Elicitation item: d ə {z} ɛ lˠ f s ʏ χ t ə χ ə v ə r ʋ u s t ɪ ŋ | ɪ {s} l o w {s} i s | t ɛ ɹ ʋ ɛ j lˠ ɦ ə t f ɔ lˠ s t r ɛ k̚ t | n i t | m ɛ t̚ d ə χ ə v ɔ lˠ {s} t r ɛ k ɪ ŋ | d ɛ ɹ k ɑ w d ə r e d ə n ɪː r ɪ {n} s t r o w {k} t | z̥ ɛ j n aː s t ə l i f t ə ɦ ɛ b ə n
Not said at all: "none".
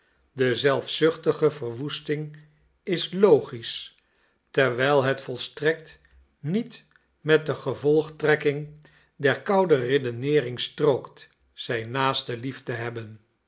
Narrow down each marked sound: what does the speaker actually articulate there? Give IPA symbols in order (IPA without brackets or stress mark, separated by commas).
z, s, χ, χ, ŋ, k